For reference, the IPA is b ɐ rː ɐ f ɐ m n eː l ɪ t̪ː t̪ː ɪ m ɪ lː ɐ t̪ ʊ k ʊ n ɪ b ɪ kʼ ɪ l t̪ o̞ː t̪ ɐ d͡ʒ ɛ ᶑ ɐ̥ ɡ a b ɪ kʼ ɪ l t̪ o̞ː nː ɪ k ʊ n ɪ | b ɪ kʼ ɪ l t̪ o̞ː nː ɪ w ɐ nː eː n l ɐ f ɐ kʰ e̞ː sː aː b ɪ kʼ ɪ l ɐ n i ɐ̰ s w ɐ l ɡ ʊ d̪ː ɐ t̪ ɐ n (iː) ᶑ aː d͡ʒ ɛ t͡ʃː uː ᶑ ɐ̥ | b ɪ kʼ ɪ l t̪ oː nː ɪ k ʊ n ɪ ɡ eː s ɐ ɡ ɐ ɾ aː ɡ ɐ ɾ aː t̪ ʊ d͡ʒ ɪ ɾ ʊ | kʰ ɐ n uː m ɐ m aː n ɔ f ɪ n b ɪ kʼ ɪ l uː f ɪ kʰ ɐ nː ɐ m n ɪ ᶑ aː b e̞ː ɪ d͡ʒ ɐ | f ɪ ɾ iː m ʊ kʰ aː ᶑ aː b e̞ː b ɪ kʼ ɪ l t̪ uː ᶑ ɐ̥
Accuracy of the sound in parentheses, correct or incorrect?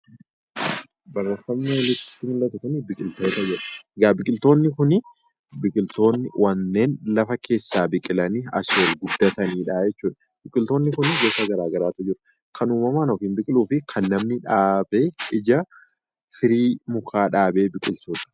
correct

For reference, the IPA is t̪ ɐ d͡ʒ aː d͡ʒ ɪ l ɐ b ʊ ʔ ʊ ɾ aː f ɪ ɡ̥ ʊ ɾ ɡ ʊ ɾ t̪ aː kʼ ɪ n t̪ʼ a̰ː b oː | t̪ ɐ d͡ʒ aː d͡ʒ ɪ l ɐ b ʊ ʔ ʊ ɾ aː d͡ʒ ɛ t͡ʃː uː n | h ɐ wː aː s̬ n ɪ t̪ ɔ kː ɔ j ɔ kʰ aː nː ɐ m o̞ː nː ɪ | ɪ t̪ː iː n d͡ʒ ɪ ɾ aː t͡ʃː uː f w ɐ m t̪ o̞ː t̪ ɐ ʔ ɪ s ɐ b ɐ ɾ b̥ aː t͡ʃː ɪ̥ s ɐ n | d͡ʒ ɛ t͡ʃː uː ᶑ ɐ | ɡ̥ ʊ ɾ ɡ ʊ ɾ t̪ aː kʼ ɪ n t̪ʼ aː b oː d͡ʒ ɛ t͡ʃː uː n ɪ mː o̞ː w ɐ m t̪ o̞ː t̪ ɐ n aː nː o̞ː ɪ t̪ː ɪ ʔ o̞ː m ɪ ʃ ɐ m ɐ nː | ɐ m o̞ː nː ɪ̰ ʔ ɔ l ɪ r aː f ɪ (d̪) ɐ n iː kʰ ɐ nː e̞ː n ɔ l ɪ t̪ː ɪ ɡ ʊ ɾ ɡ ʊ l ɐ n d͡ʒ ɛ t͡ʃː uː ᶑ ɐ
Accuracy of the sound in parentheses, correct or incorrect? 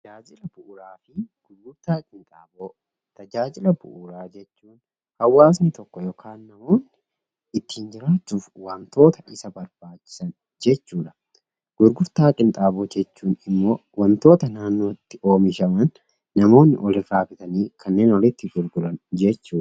incorrect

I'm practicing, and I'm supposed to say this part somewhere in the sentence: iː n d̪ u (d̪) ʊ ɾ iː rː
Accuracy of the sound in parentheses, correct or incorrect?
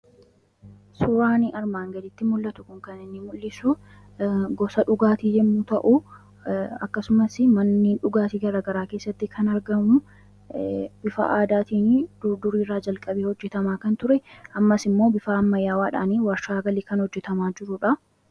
correct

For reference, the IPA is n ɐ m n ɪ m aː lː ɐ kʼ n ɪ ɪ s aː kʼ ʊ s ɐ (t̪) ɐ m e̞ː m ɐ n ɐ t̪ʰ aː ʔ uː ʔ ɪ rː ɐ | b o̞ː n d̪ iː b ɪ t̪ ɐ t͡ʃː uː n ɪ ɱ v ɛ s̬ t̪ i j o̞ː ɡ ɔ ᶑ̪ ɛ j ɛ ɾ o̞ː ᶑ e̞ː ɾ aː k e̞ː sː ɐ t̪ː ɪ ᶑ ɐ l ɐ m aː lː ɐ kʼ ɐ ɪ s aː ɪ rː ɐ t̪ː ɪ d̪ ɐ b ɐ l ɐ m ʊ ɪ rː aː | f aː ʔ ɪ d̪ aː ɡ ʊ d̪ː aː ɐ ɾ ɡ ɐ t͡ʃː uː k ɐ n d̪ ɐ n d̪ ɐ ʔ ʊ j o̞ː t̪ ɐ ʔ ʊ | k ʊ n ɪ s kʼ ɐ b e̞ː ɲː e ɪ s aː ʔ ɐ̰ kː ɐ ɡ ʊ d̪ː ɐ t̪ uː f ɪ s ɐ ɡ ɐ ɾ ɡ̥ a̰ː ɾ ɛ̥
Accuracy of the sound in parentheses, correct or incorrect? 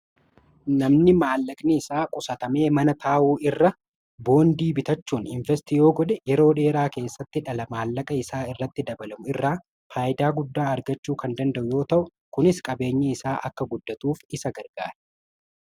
correct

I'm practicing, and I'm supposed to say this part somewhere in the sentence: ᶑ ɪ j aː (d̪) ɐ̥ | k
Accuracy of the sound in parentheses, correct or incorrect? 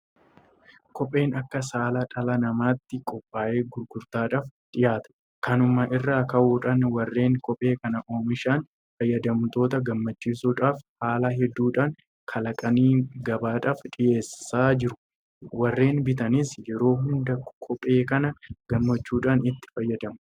incorrect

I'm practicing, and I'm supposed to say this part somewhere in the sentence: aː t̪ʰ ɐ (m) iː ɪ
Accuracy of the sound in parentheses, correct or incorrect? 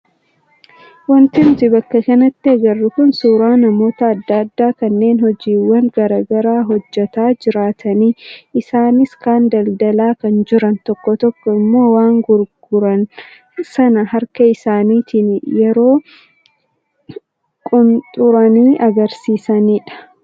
incorrect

